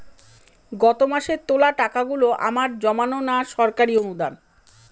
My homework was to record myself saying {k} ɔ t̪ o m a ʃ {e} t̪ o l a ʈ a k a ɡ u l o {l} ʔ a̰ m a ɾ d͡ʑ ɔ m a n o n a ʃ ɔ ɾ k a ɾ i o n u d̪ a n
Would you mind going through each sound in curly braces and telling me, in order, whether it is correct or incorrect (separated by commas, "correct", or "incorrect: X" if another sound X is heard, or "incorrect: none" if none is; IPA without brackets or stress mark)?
incorrect: ɡ, correct, incorrect: none